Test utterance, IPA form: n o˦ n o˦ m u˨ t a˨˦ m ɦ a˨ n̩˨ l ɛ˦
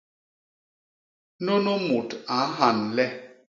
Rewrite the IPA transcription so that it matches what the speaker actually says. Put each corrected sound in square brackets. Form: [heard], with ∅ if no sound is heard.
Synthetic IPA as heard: n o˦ n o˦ m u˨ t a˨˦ [∅] ɦ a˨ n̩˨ l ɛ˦